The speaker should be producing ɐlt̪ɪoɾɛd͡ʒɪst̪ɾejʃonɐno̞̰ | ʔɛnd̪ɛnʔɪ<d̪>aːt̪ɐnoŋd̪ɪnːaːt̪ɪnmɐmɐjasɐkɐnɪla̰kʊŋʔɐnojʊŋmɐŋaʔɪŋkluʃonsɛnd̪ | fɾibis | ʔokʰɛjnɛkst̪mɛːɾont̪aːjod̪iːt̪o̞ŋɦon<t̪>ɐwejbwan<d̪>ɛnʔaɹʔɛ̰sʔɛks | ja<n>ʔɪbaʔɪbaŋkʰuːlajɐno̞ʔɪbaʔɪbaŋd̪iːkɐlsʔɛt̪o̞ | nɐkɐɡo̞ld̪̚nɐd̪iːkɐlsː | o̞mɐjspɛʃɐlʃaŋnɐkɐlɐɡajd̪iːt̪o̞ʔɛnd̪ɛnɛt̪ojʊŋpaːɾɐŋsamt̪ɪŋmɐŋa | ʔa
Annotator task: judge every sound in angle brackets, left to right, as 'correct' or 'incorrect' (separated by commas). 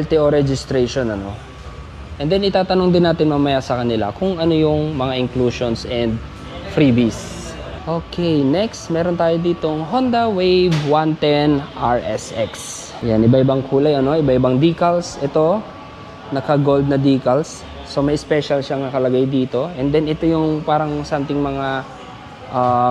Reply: incorrect, incorrect, incorrect, correct